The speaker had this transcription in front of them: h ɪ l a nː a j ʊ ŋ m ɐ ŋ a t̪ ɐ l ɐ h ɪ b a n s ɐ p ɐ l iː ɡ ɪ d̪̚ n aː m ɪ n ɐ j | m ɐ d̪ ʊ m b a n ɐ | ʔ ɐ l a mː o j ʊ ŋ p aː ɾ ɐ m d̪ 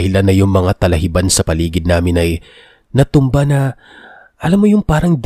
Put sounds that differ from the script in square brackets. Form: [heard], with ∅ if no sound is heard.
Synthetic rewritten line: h ɪ l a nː [ɐ] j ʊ ŋ m ɐ ŋ a t̪ ɐ l ɐ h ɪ b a n s ɐ p ɐ l iː ɡ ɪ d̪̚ n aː m ɪ n ɐ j | [n] ɐ [t̪] ʊ m b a n ɐ | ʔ ɐ l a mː o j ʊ ŋ p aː ɾ ɐ [ŋ] d̪